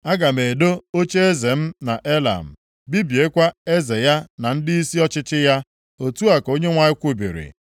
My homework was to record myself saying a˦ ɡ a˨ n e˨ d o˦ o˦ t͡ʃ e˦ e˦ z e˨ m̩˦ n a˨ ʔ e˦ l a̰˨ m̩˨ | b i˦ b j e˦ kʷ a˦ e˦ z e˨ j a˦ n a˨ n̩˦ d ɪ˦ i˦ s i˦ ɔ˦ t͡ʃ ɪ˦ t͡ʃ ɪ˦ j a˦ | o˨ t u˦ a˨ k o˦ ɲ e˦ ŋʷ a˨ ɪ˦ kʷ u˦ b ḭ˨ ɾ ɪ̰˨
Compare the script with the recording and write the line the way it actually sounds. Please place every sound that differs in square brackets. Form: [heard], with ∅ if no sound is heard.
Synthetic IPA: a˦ ɡ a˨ [m] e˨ d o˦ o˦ t͡ʃ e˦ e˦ z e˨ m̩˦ n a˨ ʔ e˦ l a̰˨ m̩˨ | b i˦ b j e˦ kʷ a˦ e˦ z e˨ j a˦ n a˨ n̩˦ d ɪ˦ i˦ s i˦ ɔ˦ t͡ʃ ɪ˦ t͡ʃ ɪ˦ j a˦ | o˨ t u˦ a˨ k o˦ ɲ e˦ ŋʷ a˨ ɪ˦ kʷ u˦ b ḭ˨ ɾ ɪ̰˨